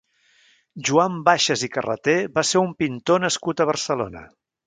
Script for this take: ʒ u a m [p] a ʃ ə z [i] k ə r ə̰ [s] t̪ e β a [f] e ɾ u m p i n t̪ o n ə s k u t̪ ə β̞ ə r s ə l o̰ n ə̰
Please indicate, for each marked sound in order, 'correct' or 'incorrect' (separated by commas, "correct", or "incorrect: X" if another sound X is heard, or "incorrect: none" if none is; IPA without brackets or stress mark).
incorrect: b, correct, incorrect: none, incorrect: s